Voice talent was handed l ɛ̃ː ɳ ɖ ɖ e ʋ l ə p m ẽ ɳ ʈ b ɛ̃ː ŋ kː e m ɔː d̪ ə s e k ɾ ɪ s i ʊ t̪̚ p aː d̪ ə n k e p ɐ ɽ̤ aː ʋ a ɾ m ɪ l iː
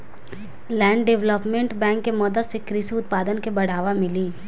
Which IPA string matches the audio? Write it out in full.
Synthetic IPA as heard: l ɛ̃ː ɳ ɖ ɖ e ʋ l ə p m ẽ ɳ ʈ b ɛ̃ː ŋ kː e m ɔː d̪ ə s e k ɾ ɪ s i ʊ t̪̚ p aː d̪ ə n k e b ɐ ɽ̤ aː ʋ a m ɪ l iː